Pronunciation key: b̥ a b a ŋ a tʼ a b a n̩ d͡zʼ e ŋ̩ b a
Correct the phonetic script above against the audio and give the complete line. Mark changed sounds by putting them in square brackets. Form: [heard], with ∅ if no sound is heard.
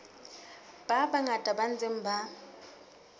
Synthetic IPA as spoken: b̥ a b a ŋ a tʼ a b a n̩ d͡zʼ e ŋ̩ b a